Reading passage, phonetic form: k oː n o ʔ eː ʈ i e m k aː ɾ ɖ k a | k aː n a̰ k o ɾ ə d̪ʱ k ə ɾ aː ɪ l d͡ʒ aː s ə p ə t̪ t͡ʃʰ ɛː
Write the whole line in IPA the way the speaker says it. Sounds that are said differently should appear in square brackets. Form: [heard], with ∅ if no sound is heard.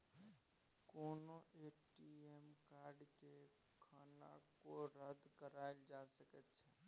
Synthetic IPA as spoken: k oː n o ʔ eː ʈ i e m k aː ɾ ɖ k [e] | [kʰ] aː n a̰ k o ɾ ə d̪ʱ k ə ɾ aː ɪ l d͡ʒ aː s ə [k] ə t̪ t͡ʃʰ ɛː

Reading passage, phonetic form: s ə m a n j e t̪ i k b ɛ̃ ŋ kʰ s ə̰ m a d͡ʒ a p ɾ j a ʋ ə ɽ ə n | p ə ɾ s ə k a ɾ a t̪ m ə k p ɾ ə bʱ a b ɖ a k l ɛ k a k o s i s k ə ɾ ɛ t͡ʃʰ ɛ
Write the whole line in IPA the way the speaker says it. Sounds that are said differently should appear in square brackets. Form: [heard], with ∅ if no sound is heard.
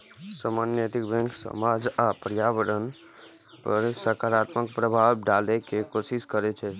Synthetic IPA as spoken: s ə m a n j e t̪ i k b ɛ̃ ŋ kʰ s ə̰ m a d͡ʒ a p ɾ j a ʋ ə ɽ ə n | p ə ɾ s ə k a ɾ a t̪ m ə k p ɾ ə bʱ a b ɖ a [∅] l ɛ k [e] k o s i s k ə ɾ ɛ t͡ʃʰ ɛ

